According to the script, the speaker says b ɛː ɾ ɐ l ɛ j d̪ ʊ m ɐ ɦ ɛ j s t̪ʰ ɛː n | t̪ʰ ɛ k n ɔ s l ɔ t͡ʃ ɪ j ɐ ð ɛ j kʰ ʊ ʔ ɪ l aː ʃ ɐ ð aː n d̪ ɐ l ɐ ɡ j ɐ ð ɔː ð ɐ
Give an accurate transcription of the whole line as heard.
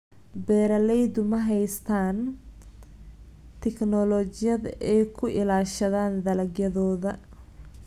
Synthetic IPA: b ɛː ɾ ɐ l ɛ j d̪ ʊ m ɐ ɦ ɛ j s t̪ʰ aː n | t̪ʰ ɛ k n ɔ l ɔ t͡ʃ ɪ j ɐ ð ɛ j kʰ ʊ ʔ ɪ l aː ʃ ɐ ð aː n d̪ ɐ l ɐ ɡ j ɐ ð ɔː ð ɐ